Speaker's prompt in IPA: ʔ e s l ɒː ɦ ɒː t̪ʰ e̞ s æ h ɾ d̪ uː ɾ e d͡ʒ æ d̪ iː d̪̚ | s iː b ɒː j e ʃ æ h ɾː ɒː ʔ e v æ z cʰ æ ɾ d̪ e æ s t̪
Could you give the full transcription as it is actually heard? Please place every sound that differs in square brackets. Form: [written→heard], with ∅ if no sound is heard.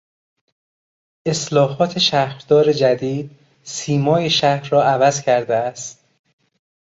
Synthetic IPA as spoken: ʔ e s l ɒː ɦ ɒː t̪ʰ e̞ [s→ʃ] æ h ɾ d̪ [uː→ɒː] ɾ e d͡ʒ æ d̪ iː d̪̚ | s iː [b→m] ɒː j e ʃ æ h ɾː ɒː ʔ [e→æ] v æ z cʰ æ ɾ d̪ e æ s t̪